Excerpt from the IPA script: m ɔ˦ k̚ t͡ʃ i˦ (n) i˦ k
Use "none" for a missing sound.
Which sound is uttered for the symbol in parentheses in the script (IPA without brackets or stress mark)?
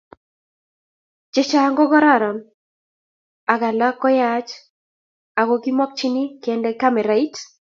n